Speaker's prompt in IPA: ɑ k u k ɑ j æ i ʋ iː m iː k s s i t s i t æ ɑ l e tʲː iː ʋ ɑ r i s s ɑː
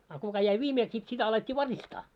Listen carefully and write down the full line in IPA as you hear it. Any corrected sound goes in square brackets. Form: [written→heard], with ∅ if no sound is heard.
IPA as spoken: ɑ k u k ɑ j æ i ʋ iː m [iː→eː] k s s i t s i t æ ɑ l e tʲː iː ʋ ɑ r i s [s→t] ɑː